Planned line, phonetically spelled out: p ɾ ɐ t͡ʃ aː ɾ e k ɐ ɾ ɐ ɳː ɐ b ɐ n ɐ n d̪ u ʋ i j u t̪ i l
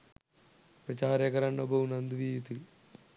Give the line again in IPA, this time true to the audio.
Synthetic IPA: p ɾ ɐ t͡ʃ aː ɾ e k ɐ ɾ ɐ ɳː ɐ b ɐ n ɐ n d̪ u ʋ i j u t̪ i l

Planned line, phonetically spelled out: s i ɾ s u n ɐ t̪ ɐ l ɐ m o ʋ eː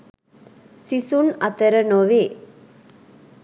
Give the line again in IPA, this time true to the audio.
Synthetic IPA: s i s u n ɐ t̪ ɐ ɾ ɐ n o ʋ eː

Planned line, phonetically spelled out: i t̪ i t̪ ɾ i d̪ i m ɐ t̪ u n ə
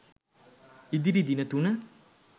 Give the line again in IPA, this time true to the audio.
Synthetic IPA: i d̪ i ɾ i d̪ i n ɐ t̪ u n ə

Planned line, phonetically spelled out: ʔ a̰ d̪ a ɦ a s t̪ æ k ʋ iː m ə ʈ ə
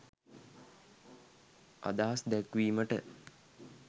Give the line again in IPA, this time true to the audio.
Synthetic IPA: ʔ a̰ d̪ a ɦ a s d̪ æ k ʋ iː m ə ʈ ə

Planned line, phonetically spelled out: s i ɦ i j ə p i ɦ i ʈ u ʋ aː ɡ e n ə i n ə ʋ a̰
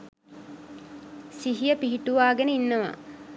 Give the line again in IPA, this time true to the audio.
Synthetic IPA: s i ɦ i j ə p i ɦ i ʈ u ʋ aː ɡ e n ə i nː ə ʋ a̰

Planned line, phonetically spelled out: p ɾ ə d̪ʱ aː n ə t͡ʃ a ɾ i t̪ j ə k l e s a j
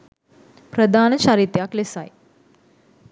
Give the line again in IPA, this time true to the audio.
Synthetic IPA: p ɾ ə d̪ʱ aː n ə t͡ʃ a ɾ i t̪ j a k l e s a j

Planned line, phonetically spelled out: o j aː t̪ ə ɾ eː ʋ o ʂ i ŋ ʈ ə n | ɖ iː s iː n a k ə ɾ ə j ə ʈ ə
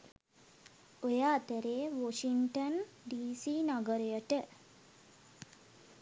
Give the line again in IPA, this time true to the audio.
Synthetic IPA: o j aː t̪ ə ɾ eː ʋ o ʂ i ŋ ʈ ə n | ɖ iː s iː n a ɡ ə ɾ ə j ə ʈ ə

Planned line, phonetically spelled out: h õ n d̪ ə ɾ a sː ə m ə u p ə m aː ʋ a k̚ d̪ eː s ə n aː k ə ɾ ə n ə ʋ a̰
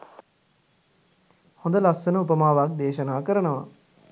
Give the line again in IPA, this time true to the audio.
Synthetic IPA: h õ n d̪ ə l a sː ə n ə u p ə m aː ʋ a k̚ d̪ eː ʃ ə n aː k ə ɾ ə n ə ʋ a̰

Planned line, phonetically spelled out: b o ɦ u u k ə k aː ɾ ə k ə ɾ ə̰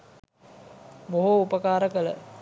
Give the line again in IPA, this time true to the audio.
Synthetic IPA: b o ɦ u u p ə k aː ɾ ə k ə l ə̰

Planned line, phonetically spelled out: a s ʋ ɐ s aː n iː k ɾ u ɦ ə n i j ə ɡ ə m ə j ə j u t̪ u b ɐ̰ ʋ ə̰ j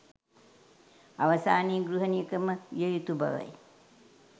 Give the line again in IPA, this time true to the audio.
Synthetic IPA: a ʋ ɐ s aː n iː ɡ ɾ u ɦ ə n i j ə k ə m ə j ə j u t̪ u b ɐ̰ ʋ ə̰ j

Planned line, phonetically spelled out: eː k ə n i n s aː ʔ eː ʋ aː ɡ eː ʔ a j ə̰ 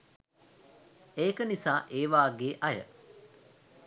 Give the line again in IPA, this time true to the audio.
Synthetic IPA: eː k ə n i s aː ʔ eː ʋ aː ɡ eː ʔ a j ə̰

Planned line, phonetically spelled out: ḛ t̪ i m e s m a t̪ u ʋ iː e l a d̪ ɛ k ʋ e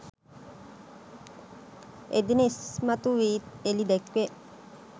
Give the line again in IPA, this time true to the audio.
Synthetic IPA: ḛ d̪ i n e s m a t̪ u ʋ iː e l i d̪ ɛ k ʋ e

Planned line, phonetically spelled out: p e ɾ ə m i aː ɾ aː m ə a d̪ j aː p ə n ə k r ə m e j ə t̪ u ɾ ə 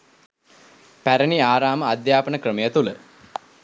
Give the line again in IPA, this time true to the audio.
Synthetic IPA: p æ ɾ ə n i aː ɾ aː m ə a d̪ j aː p ə n ə k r ə m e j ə t̪ u l ə

